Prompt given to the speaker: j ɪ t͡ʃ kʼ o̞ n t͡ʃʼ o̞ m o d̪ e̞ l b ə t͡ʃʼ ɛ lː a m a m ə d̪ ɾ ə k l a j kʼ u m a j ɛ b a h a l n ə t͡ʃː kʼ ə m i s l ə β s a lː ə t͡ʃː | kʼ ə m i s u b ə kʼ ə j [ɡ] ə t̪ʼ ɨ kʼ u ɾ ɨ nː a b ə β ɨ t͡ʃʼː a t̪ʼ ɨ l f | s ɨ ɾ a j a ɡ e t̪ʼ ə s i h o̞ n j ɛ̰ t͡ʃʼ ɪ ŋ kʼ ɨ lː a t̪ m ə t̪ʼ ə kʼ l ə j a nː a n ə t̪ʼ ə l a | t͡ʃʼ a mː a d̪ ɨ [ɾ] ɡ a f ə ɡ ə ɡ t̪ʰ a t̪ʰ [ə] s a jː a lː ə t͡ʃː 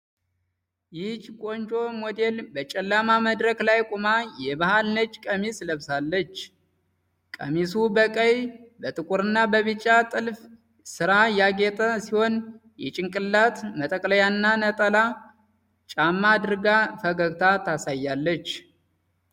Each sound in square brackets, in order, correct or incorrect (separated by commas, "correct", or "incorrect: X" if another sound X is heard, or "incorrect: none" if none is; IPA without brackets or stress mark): incorrect: b, correct, incorrect: a